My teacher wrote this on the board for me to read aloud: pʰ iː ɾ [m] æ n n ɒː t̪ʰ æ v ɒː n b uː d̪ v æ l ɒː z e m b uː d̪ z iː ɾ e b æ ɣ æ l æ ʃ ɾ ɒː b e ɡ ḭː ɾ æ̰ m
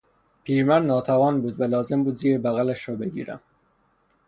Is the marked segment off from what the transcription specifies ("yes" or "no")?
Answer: no